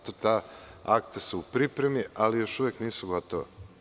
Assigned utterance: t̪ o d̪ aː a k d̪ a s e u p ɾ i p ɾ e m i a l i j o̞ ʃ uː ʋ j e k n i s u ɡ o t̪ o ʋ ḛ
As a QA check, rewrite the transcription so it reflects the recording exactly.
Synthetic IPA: t̪ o t̪ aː a k t̪ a s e u p ɾ i p ɾ e m i a l i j o̞ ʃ u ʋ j e k n iː s u ɡ o t̪ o ʋ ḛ